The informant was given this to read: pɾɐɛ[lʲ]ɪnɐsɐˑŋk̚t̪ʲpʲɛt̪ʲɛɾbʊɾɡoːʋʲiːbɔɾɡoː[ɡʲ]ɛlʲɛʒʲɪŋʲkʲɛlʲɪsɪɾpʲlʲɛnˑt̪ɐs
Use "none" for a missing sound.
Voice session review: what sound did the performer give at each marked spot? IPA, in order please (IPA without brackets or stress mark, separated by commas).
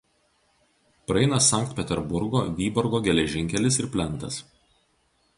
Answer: none, ɡʲ